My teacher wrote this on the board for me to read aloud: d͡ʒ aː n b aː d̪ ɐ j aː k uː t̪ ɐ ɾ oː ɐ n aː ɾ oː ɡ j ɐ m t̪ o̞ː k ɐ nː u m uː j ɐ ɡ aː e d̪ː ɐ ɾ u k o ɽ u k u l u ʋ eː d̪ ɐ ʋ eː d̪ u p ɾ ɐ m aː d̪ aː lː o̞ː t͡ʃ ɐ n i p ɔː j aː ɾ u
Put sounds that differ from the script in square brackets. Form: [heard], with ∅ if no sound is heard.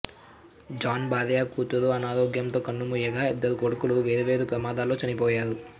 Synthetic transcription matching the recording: d͡ʒ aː n b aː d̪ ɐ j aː k uː t̪ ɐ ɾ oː ɐ n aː ɾ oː ɡ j ɐ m t̪ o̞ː k ɐ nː u m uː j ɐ ɡ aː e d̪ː ɐ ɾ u k o ɽ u k u l u ʋ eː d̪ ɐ ʋ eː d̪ u p ɾ ɐ m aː d̪ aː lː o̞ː t͡ʃ ɐ n i p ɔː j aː ɾ u